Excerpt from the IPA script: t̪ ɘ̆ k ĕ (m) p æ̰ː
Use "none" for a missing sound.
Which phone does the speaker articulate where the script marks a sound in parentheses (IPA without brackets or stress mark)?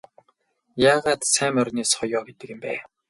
m